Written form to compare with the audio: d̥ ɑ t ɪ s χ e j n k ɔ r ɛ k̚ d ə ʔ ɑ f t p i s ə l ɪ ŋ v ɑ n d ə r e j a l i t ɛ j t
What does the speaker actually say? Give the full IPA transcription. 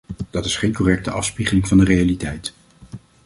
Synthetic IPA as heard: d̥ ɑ t ɪ s χ e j n k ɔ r ɛ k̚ t ə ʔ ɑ f s p i χ ə l ɪ ŋ v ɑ n d ə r e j a l i t ɛ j t